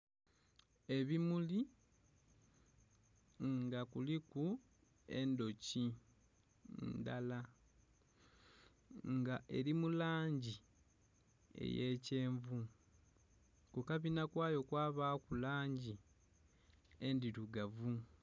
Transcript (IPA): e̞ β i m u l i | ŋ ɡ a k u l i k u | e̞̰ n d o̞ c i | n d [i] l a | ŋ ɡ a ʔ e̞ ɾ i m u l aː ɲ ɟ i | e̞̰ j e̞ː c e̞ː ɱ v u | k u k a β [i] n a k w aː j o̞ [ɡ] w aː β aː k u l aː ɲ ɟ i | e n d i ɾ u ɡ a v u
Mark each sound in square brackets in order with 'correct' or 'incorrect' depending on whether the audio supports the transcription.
incorrect, correct, incorrect

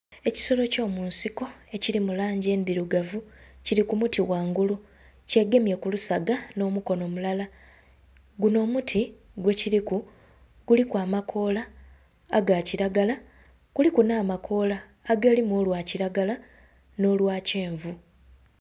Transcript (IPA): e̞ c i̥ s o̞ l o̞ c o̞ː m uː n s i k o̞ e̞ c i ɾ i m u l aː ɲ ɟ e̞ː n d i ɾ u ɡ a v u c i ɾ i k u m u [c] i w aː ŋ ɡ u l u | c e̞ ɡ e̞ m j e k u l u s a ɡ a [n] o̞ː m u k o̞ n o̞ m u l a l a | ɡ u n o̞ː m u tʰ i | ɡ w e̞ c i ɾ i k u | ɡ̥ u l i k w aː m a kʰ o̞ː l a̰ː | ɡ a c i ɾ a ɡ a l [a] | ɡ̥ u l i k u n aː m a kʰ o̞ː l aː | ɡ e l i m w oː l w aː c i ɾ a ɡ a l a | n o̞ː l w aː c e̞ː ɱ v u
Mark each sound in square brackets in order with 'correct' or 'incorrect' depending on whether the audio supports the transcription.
incorrect, correct, correct

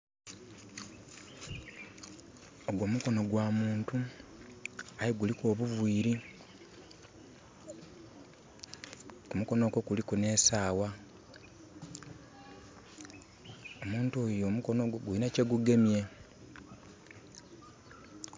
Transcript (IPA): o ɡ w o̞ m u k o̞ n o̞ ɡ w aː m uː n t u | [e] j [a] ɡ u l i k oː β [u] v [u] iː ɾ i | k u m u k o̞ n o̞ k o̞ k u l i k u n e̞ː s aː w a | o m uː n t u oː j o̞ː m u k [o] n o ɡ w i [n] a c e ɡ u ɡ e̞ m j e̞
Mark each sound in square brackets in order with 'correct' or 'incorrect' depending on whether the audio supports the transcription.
incorrect, incorrect, correct, incorrect, correct, correct

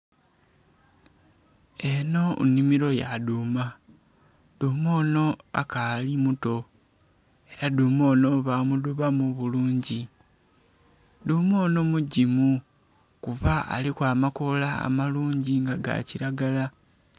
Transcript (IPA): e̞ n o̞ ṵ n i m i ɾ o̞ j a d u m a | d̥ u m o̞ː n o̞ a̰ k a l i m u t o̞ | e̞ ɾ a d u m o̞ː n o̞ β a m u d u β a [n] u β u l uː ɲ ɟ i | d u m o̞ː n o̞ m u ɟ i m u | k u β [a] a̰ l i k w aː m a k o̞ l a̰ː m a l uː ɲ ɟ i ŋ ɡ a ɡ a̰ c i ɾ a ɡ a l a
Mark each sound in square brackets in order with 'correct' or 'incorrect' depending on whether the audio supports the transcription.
incorrect, correct

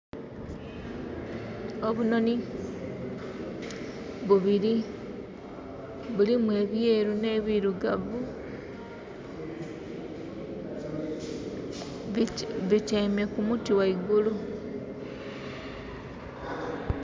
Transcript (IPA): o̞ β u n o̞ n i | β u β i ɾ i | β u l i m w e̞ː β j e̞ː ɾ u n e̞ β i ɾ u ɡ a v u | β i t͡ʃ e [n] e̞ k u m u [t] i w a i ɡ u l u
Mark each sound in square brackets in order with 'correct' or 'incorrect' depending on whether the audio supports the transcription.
incorrect, correct

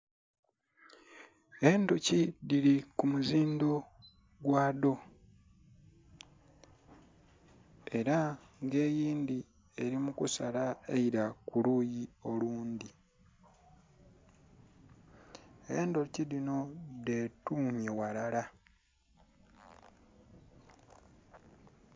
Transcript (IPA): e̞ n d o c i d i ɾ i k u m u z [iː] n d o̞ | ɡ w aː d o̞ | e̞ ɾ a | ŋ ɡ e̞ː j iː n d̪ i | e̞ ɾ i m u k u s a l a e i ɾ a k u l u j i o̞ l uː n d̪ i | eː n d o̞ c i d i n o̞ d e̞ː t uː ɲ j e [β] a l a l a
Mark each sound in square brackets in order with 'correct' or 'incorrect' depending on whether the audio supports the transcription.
correct, incorrect

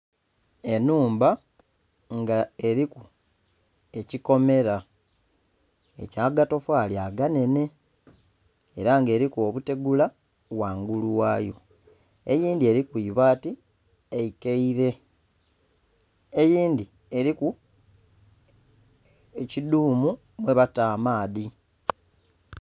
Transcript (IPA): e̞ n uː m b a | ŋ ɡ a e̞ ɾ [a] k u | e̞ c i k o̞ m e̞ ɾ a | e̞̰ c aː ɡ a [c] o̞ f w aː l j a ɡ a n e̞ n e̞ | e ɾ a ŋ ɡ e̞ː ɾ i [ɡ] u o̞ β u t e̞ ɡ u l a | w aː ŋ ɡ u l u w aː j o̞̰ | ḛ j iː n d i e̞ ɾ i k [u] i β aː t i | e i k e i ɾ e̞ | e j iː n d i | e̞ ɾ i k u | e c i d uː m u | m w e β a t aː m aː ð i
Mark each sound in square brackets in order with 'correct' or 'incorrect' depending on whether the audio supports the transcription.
incorrect, incorrect, incorrect, correct

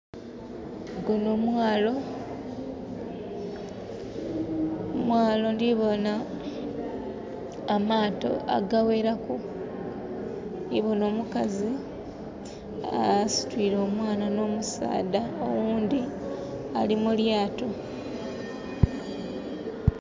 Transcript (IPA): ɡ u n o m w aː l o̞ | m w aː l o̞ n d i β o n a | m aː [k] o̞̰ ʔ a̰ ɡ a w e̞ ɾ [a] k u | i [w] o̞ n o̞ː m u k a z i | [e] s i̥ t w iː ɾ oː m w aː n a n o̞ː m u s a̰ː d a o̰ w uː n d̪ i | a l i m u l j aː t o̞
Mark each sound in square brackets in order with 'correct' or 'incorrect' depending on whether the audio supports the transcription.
incorrect, correct, incorrect, incorrect

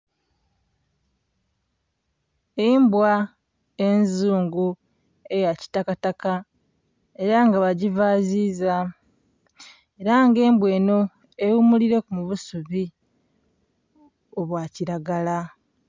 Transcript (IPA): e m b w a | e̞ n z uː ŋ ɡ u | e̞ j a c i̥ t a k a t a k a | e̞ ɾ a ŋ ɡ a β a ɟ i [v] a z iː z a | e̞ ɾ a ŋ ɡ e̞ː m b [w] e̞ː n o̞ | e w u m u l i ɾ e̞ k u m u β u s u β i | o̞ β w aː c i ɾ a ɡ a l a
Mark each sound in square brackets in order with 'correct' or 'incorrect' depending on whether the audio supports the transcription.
correct, correct

